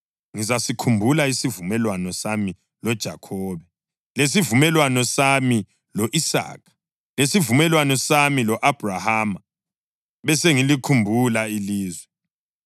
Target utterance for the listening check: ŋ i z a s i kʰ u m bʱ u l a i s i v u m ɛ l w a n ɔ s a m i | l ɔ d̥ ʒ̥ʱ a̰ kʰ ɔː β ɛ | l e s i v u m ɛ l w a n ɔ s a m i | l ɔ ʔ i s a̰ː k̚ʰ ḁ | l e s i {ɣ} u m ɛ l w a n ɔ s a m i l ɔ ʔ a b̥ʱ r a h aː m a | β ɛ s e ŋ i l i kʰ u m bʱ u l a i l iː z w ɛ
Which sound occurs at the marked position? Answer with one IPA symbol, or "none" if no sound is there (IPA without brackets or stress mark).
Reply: v